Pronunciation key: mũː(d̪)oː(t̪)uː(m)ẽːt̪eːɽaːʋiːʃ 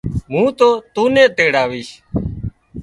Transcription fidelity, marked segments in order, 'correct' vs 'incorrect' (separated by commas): incorrect, correct, incorrect